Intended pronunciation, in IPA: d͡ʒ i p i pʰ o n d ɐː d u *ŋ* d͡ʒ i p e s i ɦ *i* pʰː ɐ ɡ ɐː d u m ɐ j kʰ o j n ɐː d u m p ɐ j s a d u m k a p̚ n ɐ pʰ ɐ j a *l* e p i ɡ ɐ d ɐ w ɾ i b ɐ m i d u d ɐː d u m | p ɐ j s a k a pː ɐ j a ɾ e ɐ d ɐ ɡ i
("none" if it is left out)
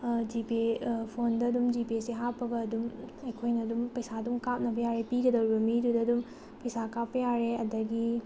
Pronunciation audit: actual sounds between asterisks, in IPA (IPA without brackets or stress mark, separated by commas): m, a, ɾ